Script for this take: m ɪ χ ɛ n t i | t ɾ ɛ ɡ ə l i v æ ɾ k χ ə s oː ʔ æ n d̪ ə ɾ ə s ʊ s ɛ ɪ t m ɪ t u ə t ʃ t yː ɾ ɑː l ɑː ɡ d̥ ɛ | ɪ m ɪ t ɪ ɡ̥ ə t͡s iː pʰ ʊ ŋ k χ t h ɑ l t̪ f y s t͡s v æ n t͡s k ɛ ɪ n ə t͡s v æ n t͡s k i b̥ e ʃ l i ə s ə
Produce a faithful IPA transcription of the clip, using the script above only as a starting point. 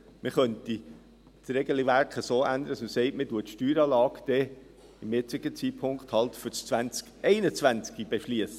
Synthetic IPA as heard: m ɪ χ œ n t i | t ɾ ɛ ɡ ə l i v æ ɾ k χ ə s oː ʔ æ n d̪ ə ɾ ə s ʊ s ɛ ɪ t m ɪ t u ə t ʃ t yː ɾ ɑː l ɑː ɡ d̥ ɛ | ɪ m ɪ t͡s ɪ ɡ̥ ə t͡s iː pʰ ʊ ŋ k χ t h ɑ l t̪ f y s t͡s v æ n t͡s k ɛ ɪ n ə t͡s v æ n t͡s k i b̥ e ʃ l i ə s ə